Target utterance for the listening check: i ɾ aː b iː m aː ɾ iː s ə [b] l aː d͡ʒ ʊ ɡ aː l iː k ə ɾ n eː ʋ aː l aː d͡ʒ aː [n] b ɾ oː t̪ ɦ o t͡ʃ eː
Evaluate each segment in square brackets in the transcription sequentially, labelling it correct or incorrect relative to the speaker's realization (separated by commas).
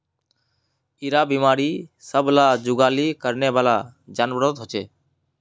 correct, correct